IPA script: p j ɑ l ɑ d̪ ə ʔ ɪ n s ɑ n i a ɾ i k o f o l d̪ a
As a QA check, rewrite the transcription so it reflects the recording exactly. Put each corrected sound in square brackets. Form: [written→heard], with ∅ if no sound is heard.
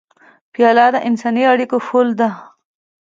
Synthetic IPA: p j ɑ l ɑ d̪ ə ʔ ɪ n s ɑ n i a [ɾ→ɽ] i k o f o l d̪ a